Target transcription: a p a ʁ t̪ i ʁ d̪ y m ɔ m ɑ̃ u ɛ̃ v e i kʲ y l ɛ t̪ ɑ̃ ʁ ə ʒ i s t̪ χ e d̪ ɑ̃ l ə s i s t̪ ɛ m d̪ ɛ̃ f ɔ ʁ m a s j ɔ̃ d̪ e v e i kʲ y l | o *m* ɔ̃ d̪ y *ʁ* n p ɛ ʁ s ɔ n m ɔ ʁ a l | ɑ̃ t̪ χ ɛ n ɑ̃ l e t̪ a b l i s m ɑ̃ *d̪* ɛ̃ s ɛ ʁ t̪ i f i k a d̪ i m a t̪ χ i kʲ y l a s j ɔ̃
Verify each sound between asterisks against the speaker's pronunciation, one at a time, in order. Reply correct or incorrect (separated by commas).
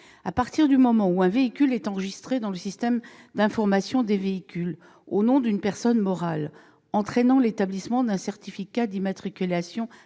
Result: incorrect, incorrect, correct